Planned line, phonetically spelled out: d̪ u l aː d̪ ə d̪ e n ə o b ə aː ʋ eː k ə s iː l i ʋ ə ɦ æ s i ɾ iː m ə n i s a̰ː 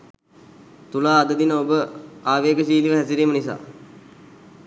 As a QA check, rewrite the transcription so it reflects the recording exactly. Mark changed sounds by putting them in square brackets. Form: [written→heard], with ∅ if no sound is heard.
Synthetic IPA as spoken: [d̪→t̪] u l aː d̪ ə d̪ [e→i] n ə o b ə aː ʋ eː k ə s iː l i ʋ ə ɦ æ s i ɾ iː m ə n i s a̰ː